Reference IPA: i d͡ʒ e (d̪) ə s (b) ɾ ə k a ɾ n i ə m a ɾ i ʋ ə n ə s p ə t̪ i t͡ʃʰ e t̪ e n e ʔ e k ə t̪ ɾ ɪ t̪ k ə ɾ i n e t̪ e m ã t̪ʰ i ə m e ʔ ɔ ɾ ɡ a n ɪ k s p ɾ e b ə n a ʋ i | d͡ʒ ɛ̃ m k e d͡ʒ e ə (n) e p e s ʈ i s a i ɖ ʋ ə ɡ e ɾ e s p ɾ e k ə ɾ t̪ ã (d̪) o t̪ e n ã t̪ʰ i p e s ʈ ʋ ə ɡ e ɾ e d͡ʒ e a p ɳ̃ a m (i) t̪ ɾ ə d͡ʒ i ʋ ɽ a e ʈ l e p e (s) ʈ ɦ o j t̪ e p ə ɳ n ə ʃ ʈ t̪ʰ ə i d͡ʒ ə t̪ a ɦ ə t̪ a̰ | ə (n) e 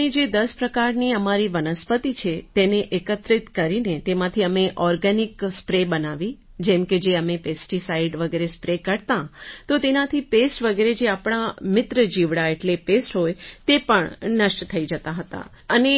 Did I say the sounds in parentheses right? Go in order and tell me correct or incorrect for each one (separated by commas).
correct, incorrect, incorrect, incorrect, incorrect, correct, correct